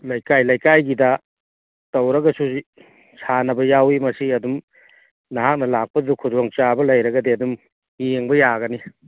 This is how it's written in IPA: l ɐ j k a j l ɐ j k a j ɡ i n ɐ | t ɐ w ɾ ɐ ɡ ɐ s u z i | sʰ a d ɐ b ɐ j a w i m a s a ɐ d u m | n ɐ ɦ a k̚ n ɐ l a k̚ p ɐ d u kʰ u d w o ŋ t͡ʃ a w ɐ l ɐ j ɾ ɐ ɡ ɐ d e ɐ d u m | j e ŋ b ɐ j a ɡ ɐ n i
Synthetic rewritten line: l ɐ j k a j l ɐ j k a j ɡ i d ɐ | t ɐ w ɾ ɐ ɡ ɐ s u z i | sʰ a n ɐ b ɐ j a w i m ɐ s i ɐ d u m | n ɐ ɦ a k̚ n ɐ l a k̚ p ɐ d u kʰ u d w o ŋ t͡ʃ a b ɐ l ɐ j ɾ ɐ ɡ ɐ d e ɐ d u m | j e ŋ b ɐ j a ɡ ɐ n i